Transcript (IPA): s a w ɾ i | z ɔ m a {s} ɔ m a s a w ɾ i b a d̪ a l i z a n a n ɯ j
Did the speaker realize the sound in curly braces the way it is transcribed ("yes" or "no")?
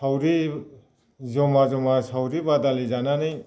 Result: no